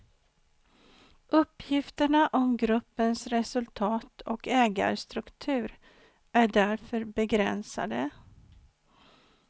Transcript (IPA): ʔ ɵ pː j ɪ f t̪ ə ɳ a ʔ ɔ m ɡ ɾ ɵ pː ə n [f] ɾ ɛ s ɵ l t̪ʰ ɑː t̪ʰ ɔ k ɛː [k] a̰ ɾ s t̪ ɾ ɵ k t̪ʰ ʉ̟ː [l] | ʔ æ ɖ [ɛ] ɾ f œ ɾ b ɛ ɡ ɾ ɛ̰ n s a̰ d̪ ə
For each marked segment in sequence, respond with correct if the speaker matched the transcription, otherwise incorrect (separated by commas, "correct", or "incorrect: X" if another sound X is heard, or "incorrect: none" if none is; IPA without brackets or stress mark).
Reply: incorrect: s, incorrect: ɡ, incorrect: ɾ, incorrect: æ